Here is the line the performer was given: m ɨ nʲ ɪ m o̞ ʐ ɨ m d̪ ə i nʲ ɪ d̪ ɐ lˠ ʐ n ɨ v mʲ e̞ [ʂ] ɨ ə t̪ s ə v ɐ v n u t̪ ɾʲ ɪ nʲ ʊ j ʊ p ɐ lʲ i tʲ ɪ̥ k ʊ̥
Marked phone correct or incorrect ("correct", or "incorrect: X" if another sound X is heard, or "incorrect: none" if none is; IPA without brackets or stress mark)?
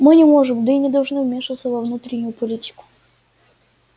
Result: correct